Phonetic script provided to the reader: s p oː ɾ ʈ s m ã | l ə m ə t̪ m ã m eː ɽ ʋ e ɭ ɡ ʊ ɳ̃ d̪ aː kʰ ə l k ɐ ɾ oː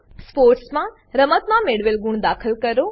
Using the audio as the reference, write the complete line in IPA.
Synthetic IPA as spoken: s p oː ɾ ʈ s m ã | ɾ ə m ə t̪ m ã m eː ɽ ʋ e l ɡ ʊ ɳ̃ d̪ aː kʰ ə l k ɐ ɾ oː